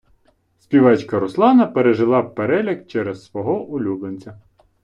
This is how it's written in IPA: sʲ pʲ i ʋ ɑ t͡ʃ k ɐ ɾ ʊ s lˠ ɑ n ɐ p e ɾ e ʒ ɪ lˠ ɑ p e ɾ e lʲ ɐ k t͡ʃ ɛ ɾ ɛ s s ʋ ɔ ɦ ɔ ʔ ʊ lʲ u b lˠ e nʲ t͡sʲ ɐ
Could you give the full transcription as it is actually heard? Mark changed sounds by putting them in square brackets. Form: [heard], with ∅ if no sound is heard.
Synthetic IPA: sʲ pʲ i ʋ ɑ t͡ʃ k ɐ ɾ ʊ s lˠ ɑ n ɐ p e ɾ e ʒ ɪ lˠ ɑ p e ɾ [ɛ] lʲ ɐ k t͡ʃ ɛ ɾ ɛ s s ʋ ɔ ɦ ɔ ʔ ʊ lʲ u b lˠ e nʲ t͡sʲ ɐ